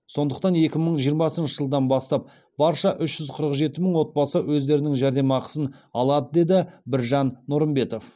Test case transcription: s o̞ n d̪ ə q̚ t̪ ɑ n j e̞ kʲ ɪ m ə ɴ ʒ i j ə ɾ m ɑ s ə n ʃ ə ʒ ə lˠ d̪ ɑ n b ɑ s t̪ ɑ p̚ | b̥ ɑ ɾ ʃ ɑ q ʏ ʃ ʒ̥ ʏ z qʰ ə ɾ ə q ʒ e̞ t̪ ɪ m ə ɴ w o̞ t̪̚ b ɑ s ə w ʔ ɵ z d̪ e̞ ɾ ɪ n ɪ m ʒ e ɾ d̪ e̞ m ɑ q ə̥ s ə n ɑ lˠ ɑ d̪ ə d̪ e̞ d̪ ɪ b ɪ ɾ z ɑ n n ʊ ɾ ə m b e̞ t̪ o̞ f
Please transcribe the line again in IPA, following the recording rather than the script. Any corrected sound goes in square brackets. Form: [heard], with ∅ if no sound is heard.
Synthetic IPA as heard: s o̞ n d̪ ə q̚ t̪ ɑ n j e̞ kʲ ɪ m ə ɴ ʒ i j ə ɾ m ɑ s ə n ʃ ə ʒ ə lˠ d̪ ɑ n b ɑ s t̪ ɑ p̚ | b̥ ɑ ɾ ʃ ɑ [ʔ] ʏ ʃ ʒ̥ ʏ z qʰ ə ɾ ə q ʒ e̞ t̪ ɪ m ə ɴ w o̞ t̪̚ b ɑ s ə w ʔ ɵ z d̪ e̞ ɾ ɪ n ɪ [ŋ] ʒ [æ] ɾ d̪ e̞ m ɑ q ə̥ s ə n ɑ lˠ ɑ d̪ ə d̪ e̞ d̪ ɪ b ɪ ɾ [ʒ] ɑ n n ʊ ɾ ə m b e̞ t̪ o̞ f

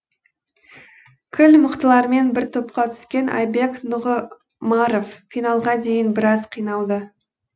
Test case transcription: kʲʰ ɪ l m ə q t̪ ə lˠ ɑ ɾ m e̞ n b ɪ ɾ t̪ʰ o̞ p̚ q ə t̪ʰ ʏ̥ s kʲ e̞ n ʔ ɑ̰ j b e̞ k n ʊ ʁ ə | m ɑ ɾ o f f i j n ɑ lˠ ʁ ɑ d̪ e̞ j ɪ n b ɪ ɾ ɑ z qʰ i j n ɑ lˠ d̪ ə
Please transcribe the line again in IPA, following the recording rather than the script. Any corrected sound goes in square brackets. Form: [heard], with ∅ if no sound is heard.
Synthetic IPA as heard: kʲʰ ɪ l m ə q t̪ ə lˠ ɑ ɾ m e̞ n b ɪ ɾ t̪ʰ o̞ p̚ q [ɑ] t̪ʰ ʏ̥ s kʲ e̞ n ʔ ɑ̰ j b e̞ k n ʊ ʁ ə | m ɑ ɾ o f f i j n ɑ lˠ ʁ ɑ d̪ e̞ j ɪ n b ɪ ɾ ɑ z qʰ i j n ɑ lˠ d̪ ə

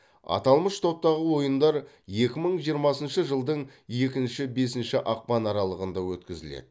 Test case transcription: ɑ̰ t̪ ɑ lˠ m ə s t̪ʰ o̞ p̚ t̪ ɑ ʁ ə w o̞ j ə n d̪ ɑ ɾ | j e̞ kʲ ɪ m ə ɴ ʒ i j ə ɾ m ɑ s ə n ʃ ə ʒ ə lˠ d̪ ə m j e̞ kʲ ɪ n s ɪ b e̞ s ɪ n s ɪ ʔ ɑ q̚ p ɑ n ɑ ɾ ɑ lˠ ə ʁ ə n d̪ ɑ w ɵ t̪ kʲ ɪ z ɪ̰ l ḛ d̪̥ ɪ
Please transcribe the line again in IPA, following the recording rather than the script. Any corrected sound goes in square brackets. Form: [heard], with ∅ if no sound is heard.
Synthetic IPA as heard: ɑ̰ t̪ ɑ lˠ m ə [ʃ] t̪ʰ o̞ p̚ t̪ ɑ ʁ ə w o̞ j ə n d̪ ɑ ɾ | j e̞ kʲ ɪ m ə ɴ ʒ i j ə ɾ m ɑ s ə n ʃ ə ʒ ə lˠ d̪ ə [ɴ] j e̞ kʲ ɪ n [ʃ] ɪ b e̞ s ɪ n [ʃ] ɪ ʔ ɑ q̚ p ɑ n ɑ ɾ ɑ lˠ ə ʁ ə n d̪ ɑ w ɵ t̪ kʲ ɪ z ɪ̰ l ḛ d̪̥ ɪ

